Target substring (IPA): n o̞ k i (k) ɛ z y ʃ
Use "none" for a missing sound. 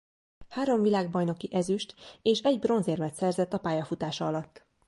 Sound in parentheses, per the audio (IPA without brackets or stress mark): ʔ